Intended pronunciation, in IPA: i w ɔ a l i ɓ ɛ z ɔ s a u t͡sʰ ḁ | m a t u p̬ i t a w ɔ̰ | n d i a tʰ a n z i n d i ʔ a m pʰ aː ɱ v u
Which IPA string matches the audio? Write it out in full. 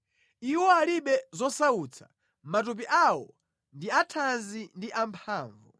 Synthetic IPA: i w ɔ a l i ɓ ɛ z ɔ s a u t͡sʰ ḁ | m a t u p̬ i ʔ a w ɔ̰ | n d i a tʰ a n z i n d i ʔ a m pʰ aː ɱ v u